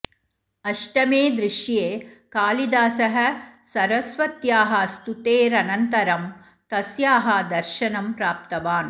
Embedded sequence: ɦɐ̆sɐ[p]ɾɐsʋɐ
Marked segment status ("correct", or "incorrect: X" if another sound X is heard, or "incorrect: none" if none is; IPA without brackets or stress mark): incorrect: none